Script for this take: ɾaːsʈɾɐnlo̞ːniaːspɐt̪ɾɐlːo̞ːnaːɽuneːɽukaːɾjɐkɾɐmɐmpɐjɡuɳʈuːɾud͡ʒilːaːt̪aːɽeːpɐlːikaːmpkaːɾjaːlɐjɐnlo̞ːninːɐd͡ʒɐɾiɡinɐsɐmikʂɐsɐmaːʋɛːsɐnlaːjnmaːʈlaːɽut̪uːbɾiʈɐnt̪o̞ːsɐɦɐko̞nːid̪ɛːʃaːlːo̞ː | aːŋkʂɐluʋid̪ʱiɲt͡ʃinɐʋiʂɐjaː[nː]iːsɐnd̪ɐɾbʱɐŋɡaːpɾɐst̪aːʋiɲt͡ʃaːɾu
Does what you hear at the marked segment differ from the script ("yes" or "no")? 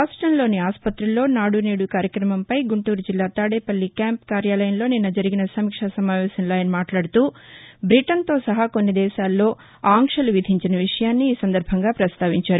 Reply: no